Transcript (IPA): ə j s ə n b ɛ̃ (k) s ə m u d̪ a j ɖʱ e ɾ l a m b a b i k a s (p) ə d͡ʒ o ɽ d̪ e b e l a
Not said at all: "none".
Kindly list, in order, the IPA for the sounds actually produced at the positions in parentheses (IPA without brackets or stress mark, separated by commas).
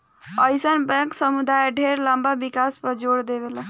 k, p